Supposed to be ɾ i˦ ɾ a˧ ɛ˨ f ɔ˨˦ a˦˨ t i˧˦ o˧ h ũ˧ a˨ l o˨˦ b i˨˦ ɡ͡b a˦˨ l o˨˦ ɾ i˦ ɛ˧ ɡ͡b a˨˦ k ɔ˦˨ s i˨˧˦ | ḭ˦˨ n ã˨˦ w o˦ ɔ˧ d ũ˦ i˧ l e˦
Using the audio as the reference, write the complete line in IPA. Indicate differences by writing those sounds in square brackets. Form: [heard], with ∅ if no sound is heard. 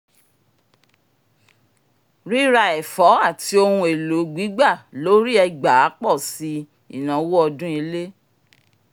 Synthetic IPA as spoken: ɾ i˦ ɾ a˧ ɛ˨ f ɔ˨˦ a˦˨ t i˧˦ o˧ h ũ˧ [e˨] l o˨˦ [ɡ͡b] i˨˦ ɡ͡b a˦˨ l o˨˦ ɾ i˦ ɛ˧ ɡ͡b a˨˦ [k͡p] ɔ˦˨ s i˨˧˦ | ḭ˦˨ n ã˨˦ w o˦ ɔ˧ d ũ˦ i˧ l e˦